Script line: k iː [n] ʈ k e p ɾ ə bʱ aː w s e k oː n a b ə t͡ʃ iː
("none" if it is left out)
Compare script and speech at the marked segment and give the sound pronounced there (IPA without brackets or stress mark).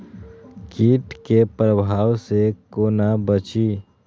none